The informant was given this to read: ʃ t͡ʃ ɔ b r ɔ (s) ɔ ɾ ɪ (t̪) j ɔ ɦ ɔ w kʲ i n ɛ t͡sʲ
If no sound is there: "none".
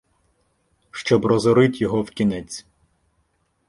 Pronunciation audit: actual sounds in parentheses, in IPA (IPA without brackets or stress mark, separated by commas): z, t̪